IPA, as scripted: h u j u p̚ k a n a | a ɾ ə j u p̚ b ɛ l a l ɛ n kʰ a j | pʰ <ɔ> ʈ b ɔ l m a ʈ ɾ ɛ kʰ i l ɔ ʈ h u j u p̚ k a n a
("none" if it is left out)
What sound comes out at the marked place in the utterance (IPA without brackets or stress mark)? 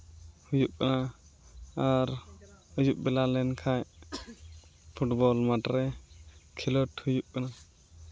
u